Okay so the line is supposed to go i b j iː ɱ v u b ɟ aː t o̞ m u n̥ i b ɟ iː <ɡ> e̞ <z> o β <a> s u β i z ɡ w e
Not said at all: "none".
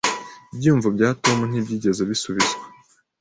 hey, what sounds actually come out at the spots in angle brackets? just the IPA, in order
ɟ, z, i

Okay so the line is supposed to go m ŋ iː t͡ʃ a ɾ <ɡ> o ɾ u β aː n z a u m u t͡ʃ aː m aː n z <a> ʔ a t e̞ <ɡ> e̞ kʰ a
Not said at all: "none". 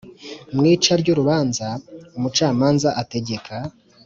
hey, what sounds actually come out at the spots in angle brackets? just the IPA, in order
ɟ, a, ɟ

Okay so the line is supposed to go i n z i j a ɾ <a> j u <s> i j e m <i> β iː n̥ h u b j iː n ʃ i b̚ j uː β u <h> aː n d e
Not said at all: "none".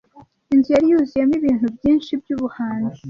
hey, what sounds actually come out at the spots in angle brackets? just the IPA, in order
i, z, i, h

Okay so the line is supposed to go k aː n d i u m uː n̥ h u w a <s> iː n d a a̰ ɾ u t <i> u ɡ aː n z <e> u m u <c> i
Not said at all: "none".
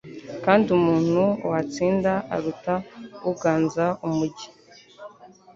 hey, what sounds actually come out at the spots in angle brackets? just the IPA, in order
t͡s, a, a, ɟ

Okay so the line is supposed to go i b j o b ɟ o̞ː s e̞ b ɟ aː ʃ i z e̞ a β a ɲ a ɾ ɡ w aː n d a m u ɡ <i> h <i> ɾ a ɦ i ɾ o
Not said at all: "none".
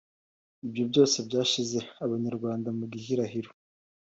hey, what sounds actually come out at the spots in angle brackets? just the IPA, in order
i, i

